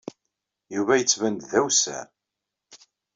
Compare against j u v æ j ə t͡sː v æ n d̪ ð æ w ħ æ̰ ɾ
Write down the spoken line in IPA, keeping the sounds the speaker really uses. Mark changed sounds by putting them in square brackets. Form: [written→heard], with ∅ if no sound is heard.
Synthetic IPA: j u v æ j ə t͡sː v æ n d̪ ð æ w [ħ→s] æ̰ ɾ

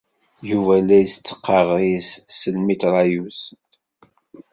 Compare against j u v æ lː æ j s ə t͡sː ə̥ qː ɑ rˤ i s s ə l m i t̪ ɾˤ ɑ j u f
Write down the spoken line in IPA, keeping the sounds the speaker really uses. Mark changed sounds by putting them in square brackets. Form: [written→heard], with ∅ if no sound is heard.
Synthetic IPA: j u v æ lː æ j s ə t͡sː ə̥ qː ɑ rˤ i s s ə l m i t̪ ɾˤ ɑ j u [f→s]

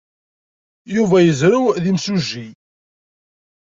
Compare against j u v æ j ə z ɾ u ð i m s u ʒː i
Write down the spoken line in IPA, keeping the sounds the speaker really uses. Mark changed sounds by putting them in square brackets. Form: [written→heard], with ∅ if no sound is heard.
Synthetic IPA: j u v æ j ə z ɾ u ð i m s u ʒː i

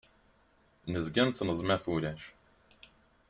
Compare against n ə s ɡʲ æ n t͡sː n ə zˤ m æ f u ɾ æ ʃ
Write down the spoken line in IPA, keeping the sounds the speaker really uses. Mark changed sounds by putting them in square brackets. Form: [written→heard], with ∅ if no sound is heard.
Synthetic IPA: n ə [s→z] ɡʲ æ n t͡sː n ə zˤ m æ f u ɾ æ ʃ

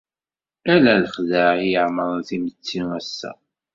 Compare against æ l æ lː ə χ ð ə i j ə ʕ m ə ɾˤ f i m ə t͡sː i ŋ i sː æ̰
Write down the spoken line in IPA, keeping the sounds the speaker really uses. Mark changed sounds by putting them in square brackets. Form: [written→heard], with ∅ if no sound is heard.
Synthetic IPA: æ l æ [lː→l] ə χ ð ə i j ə ʕ m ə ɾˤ [f→θ] i m ə t͡sː i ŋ [i→æ] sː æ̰

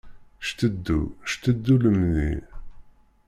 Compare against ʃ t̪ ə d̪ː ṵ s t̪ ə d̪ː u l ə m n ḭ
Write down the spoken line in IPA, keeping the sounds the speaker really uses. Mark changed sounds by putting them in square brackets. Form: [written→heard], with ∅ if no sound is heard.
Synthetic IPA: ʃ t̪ ə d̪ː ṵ [s→ʃ] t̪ ə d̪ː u l ə m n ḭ

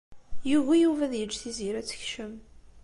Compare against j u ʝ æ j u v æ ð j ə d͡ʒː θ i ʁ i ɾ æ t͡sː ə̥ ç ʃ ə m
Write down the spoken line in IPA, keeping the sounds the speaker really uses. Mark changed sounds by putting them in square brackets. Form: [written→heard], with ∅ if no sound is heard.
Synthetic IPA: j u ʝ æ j u v æ ð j ə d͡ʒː θ i [ʁ→z] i ɾ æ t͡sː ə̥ ç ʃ ə m

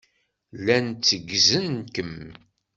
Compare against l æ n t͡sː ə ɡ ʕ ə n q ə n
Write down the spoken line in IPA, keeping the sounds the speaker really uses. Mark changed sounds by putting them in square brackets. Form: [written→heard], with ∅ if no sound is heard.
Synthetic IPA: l æ n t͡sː ə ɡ [ʕ→z] ə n [q→k] ə [n→m]

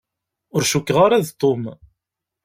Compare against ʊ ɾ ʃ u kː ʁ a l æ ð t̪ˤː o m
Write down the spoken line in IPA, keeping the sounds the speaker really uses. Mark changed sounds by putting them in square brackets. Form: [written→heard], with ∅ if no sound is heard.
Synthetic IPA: ʊ ɾ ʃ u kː ʁ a [l→ɾ] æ ð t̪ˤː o m

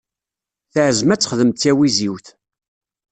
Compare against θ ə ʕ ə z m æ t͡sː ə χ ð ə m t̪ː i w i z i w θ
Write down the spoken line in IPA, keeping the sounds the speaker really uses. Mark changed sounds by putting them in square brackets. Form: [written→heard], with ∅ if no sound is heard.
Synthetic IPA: θ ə ʕ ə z m æ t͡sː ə χ ð ə m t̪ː [i→æ] w i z i w θ

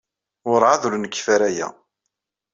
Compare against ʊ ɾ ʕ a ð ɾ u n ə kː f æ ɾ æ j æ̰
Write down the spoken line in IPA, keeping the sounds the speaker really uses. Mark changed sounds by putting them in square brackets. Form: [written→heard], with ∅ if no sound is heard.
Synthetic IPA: ʊ ɾ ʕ a ð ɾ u n ə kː f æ ɾ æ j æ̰

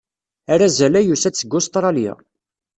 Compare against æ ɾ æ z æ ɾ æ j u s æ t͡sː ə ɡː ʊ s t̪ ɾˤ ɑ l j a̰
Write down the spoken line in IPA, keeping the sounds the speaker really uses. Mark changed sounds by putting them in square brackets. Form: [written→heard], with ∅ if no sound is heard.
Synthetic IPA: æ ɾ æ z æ [ɾ→l] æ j u s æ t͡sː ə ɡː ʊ s t̪ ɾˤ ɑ l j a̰

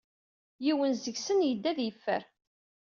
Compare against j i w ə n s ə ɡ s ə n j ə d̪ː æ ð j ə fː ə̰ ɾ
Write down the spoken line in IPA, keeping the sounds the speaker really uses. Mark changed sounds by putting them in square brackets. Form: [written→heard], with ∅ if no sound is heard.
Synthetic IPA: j i w ə n [s→z] ə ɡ s ə n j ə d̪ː æ ð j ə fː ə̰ ɾ

